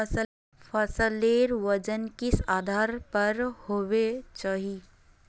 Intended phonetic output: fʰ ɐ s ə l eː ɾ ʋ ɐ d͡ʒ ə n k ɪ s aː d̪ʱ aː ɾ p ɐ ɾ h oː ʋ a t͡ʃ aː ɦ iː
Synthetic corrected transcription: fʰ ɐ s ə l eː ɾ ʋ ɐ d͡ʒ ə n k ɪ s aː d̪ʱ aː ɾ p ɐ ɾ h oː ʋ e t͡ʃ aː ɦ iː